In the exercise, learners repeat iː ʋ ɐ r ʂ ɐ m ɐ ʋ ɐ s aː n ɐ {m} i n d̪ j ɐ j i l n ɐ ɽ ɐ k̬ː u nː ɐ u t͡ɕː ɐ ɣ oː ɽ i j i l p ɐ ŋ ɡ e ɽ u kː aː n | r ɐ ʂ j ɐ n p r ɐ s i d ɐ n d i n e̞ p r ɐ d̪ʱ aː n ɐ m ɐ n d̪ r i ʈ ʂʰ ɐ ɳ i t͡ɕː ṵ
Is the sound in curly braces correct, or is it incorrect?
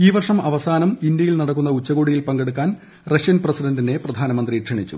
correct